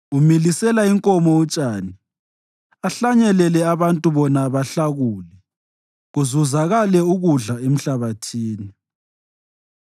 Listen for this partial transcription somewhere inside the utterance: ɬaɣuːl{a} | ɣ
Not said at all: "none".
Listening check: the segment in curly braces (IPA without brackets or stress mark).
ɛ